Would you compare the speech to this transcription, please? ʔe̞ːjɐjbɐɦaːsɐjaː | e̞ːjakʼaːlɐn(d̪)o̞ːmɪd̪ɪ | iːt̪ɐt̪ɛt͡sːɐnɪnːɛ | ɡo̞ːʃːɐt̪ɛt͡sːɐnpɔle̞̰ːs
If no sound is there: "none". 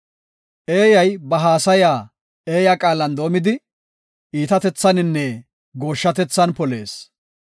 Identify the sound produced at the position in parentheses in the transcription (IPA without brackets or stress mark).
d̪